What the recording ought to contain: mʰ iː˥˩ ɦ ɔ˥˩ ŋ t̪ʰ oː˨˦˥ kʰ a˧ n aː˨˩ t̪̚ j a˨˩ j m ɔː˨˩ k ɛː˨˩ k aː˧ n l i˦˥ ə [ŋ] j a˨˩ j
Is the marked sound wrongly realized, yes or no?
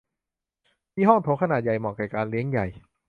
no